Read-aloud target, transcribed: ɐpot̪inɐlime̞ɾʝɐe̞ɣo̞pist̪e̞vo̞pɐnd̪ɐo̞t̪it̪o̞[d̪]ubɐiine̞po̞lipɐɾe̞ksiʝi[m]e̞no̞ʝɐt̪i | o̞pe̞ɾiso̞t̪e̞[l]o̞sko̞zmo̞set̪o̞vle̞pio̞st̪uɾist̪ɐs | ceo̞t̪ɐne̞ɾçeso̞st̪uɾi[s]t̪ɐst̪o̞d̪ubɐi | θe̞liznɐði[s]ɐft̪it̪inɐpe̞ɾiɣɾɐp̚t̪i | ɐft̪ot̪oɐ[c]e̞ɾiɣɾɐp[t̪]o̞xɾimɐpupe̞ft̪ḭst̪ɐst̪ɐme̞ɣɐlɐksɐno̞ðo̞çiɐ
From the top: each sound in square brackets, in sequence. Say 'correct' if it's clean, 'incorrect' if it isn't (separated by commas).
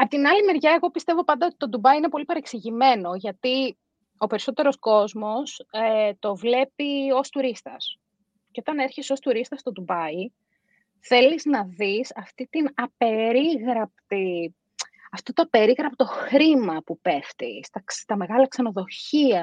correct, correct, incorrect, correct, correct, incorrect, correct